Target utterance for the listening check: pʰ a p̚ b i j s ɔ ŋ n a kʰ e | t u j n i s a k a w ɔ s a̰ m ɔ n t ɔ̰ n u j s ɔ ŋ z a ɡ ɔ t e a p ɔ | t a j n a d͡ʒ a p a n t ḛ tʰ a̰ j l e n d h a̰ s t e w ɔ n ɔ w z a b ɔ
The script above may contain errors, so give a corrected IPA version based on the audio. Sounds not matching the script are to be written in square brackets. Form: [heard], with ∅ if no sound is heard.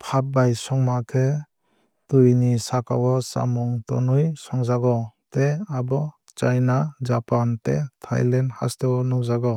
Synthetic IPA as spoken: pʰ a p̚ b [a] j s ɔ ŋ [m] a kʰ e | t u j n i s a k a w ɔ s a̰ m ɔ [ŋ] t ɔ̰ n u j s ɔ ŋ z a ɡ ɔ t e a [b] ɔ | [t͡ʃ] a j n a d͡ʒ a p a n t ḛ tʰ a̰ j l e n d h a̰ s t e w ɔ n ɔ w z a [ɡ] ɔ